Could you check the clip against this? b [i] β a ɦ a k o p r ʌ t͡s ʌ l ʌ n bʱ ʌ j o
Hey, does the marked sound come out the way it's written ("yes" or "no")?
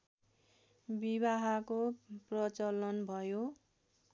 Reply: yes